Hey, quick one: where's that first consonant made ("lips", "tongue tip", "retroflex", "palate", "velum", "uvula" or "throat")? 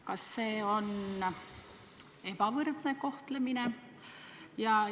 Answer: velum